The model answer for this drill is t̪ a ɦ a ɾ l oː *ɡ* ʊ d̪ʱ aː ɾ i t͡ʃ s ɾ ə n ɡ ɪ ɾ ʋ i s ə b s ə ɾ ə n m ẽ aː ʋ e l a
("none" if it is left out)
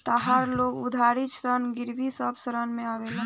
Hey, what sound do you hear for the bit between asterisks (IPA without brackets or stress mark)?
ɡ